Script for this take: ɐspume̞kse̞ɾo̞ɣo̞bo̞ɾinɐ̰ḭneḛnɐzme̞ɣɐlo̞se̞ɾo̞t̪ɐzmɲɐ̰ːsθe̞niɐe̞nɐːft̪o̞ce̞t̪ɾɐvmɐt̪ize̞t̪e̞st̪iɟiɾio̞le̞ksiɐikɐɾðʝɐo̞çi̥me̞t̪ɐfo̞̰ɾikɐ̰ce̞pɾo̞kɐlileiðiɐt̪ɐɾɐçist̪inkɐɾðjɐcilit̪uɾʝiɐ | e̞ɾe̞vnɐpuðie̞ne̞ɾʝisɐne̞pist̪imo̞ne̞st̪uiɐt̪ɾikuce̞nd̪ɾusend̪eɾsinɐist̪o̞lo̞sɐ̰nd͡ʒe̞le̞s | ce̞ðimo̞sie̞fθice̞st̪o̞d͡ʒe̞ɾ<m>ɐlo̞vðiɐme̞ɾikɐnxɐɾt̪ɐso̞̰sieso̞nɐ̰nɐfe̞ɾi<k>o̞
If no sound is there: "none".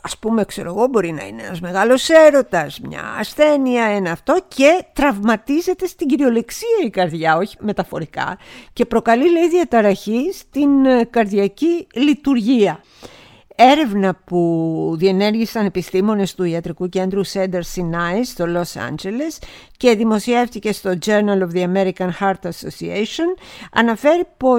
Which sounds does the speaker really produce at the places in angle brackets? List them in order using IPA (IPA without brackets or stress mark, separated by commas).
n, p